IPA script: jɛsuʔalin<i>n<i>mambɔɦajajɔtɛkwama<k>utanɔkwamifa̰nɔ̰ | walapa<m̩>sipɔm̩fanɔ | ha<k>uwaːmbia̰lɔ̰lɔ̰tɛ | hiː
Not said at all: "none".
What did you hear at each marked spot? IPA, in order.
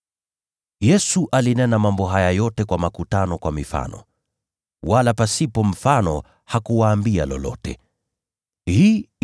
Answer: ɛ, a, k, none, k

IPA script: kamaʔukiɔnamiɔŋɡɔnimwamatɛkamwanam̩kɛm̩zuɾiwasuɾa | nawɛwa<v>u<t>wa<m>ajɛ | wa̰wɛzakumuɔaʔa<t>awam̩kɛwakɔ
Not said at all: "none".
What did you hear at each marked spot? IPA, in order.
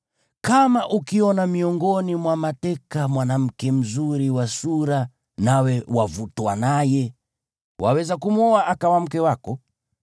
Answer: v, t, n, k

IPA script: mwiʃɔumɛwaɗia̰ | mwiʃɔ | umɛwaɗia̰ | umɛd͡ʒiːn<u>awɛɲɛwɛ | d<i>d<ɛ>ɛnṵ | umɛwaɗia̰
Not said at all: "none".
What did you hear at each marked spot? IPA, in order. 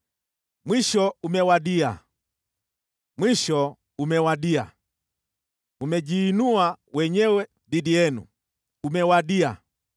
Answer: u, i, i

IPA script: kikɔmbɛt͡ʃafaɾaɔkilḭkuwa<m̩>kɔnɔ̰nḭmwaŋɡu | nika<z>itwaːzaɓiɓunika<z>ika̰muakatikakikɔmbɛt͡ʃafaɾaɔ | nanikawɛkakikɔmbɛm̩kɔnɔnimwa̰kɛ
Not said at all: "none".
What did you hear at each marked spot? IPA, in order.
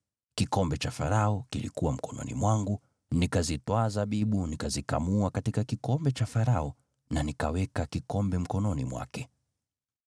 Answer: m̩, z, z

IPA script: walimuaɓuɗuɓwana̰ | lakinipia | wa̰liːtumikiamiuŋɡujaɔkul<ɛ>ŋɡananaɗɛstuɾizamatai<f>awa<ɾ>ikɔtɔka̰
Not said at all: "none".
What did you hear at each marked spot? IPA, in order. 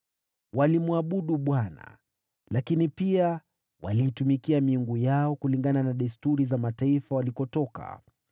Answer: i, f, l

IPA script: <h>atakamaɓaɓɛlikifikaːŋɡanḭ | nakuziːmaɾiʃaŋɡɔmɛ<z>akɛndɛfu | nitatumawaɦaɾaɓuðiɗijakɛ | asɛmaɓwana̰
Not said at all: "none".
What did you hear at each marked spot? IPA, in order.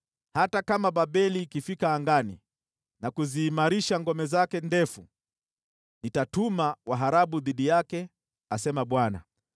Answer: h, z

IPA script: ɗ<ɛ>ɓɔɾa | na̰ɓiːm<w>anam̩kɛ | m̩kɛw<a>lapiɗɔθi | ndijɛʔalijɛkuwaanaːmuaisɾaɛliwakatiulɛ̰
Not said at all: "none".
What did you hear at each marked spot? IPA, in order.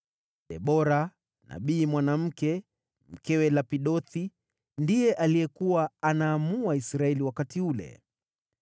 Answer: ɛ, w, ɛ

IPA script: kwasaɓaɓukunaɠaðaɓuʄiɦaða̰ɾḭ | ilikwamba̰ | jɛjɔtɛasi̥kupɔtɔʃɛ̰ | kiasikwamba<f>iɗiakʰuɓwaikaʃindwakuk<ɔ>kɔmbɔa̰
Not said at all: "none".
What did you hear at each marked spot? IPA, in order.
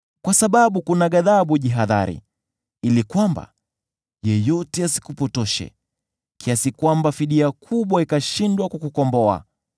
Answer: f, u

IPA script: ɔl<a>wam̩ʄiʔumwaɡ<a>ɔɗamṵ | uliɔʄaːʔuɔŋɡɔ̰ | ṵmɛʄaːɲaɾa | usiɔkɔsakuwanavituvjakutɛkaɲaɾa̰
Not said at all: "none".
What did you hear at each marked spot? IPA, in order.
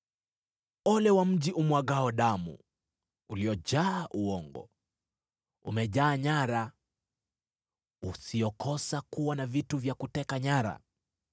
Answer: ɛ, a

